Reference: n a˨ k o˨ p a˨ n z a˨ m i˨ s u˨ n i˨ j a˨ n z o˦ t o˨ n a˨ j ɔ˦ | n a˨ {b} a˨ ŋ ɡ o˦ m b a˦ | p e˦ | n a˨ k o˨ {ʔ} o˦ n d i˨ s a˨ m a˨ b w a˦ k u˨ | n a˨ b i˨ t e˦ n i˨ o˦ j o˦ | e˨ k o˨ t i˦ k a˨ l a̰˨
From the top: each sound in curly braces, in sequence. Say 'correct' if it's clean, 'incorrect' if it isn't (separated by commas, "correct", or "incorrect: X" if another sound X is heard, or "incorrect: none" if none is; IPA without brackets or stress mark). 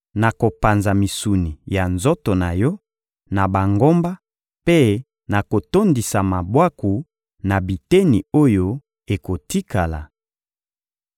correct, incorrect: t